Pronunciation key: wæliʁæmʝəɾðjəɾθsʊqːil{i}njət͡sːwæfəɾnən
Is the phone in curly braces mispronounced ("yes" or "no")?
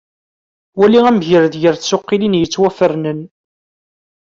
no